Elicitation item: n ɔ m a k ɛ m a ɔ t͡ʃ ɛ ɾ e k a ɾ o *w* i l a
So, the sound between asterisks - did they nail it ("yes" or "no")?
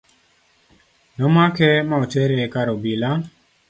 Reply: no